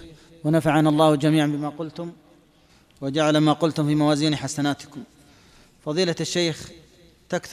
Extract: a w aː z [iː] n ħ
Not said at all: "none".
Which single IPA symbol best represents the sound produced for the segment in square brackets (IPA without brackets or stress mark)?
iː